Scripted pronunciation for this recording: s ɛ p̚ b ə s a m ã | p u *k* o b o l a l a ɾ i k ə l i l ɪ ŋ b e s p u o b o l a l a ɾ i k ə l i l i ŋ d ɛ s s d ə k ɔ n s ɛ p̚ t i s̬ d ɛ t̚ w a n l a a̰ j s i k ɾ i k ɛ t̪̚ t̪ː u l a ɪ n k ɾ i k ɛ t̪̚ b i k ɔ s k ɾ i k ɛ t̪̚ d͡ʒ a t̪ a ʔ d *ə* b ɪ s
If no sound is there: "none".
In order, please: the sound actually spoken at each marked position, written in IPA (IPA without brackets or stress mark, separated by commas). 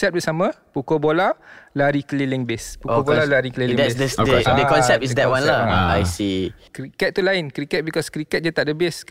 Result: k, ə